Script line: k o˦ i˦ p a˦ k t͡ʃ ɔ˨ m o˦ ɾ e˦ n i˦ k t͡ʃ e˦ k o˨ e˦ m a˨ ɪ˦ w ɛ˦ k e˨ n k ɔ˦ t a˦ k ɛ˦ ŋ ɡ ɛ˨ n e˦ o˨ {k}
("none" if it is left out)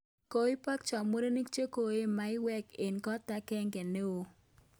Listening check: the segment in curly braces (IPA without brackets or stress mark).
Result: none